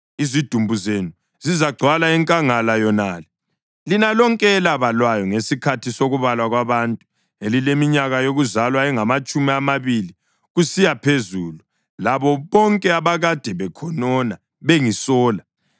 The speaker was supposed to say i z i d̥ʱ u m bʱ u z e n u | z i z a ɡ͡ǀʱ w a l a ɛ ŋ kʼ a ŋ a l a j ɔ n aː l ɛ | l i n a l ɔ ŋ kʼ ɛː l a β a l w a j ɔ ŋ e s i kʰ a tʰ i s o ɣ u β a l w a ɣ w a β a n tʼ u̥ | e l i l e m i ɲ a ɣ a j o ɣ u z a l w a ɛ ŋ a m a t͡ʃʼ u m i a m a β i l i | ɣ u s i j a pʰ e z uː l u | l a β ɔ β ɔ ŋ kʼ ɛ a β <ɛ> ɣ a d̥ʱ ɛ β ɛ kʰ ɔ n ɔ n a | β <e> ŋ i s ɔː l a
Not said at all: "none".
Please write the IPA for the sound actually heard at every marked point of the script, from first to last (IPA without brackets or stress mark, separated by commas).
a, e